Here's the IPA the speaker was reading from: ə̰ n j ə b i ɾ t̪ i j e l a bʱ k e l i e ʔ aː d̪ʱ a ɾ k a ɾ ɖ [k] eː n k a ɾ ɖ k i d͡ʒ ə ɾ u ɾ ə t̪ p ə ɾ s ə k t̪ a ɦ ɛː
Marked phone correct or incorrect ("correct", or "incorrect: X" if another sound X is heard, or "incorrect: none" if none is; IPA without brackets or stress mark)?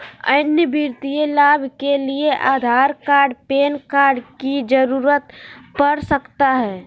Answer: incorrect: p